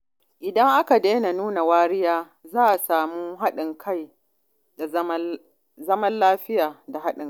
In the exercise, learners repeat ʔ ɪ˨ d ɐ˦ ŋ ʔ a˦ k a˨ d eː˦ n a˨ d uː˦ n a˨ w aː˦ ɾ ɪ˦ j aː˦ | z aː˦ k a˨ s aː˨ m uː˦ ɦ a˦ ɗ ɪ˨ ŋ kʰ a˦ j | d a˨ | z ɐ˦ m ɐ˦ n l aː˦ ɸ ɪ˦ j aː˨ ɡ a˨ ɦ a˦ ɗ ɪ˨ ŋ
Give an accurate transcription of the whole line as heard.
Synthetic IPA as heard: ʔ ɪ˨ d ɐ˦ ŋ ʔ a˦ k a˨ d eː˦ n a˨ n uː˦ n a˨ w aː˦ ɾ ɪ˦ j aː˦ | z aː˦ ʔ a˨ s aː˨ m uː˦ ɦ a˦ ɗ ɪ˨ ŋ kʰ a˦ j | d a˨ | z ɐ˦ m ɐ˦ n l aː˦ ɸ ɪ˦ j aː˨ d a˨ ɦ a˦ ɗ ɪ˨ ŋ

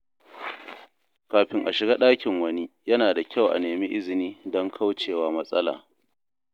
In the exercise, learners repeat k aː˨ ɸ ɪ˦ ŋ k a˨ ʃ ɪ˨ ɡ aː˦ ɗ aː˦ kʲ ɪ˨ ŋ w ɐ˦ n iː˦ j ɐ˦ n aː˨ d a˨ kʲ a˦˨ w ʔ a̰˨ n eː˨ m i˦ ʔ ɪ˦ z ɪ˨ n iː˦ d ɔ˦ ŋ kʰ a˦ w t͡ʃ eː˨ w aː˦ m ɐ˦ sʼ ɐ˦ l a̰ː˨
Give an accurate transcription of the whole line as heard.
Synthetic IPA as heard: k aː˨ ɸ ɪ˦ ŋ ʔ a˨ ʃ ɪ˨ ɡ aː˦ ɗ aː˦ kʲ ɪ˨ ŋ w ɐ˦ n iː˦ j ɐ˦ n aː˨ d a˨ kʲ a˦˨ w ʔ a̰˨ n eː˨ m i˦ ʔ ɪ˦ z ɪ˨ n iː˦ d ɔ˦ ŋ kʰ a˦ w t͡ʃ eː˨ w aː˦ m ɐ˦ sʼ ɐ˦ l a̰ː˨

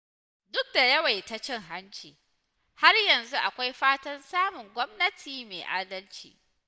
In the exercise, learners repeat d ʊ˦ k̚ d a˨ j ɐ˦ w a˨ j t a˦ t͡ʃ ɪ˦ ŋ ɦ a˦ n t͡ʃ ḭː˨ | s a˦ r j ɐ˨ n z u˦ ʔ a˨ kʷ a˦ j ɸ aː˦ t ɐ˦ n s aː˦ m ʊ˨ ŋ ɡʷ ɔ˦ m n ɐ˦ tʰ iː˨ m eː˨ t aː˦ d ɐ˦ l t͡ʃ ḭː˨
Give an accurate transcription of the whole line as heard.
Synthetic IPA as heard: d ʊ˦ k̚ d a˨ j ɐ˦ w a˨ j t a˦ t͡ʃ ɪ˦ ŋ ɦ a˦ n t͡ʃ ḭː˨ | h a˦ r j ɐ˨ n z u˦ ʔ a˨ kʷ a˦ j ɸ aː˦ t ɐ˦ n s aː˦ m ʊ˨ ŋ ɡʷ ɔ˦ m n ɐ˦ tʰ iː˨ m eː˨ ʔ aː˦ d ɐ˦ l t͡ʃ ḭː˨

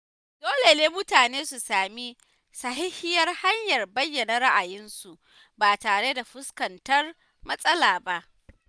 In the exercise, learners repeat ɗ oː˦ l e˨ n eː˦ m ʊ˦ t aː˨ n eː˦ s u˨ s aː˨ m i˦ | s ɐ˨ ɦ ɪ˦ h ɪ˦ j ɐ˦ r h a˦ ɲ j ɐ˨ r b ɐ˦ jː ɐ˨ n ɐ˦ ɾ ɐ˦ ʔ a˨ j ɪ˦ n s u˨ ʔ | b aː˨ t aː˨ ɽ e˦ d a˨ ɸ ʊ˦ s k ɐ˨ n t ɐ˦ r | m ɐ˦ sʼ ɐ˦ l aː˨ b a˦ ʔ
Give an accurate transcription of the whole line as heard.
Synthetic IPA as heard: d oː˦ l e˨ n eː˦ m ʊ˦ t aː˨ n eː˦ s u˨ s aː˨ m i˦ | s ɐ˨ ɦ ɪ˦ h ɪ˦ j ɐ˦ r h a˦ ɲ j ɐ˨ r b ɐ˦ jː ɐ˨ n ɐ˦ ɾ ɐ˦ ʔ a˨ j ɪ˦ n s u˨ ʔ | b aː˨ t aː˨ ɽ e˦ d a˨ ɸ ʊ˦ s k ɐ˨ n t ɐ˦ r | m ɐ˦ sʼ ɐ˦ l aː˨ b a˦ ʔ

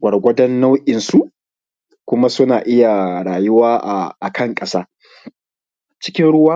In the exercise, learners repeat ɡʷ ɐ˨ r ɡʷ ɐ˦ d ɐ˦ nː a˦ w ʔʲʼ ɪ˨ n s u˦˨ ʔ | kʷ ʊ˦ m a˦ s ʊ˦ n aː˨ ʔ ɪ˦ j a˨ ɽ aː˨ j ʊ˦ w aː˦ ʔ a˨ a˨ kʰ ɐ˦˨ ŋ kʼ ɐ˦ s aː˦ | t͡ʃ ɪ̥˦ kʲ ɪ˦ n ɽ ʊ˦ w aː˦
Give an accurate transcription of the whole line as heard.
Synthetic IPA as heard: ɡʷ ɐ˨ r ɡʷ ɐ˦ d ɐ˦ nː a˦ w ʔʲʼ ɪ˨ n s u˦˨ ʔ | kʷ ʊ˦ m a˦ s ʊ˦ n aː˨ ʔ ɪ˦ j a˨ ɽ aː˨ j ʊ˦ w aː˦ ʔ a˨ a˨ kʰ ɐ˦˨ ŋ kʼ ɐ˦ s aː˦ | t͡ʃ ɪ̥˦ kʲ ɪ˦ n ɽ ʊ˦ w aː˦

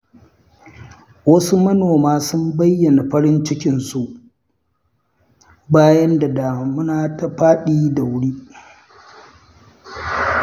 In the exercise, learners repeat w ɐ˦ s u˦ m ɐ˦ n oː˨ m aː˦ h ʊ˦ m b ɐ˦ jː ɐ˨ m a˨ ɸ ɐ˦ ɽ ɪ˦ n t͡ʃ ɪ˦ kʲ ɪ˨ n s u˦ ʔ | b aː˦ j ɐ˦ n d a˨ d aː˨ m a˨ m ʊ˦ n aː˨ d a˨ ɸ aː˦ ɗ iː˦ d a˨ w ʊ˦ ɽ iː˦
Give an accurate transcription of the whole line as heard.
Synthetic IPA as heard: w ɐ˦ s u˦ m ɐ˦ n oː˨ m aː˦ s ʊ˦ m b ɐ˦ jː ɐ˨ n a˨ ɸ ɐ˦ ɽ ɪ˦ n t͡ʃ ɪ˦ kʲ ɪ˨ n s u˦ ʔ | b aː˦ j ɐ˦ n d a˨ d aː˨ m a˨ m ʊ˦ n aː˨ t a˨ ɸ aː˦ ɗ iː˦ d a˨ w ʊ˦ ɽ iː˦

